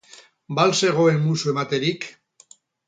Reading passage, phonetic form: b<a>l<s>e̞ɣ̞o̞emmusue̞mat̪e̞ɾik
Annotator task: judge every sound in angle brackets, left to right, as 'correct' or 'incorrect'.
correct, correct

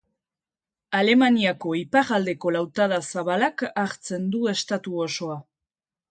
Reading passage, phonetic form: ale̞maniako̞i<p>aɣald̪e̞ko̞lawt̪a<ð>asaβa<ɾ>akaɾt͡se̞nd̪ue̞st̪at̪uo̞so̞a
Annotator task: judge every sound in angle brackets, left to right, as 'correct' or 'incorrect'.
correct, correct, incorrect: l

